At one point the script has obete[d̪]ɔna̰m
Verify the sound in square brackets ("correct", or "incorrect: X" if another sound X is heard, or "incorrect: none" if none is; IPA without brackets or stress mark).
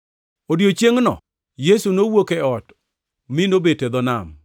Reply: correct